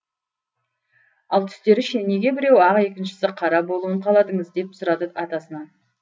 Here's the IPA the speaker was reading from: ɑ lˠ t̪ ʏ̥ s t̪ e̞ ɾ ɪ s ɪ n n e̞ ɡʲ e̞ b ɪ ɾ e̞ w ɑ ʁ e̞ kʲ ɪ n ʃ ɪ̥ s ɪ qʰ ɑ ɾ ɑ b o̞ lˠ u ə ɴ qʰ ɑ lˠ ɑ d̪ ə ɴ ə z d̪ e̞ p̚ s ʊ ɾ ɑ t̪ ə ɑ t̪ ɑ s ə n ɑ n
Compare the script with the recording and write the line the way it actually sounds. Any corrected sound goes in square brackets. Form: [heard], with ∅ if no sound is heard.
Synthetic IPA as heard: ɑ lˠ [t̪ʰ] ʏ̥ s t̪ e̞ ɾ ɪ [ʃ] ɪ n n e̞ ɡʲ e̞ b ɪ ɾ e̞ w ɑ ʁ e̞ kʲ ɪ n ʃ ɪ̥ s ɪ qʰ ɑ ɾ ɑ b o̞ lˠ u ə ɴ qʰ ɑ lˠ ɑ d̪ ə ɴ ə z d̪ e̞ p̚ s ʊ ɾ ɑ [d̪] ə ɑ t̪ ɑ s ə n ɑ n